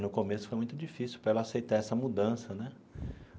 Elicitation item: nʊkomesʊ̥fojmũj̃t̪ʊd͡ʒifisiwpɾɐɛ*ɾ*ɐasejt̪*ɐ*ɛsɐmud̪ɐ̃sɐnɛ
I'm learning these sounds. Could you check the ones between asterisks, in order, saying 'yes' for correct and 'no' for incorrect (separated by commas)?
no, no